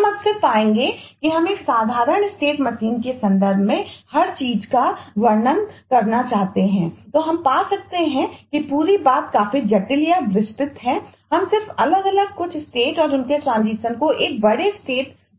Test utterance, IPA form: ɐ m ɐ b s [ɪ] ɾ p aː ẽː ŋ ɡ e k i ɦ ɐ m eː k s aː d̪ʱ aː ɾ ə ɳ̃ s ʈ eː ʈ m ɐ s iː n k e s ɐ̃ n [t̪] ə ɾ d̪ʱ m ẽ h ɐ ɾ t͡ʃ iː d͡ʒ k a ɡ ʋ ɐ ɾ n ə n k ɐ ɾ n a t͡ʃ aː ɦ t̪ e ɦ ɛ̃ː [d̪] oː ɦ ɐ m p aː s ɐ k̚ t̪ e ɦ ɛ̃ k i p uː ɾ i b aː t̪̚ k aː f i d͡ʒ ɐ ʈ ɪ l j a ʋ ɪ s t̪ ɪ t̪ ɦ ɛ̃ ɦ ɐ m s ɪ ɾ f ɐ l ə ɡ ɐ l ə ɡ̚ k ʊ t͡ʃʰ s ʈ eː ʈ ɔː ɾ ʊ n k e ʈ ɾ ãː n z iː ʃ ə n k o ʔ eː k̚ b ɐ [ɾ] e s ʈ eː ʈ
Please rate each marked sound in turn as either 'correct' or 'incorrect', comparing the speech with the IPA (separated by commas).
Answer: correct, incorrect, incorrect, incorrect